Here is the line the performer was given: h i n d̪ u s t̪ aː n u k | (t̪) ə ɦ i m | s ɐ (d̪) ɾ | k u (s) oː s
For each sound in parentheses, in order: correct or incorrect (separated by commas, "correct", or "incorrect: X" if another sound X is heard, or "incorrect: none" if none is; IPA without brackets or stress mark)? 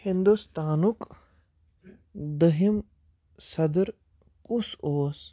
incorrect: d̪, correct, correct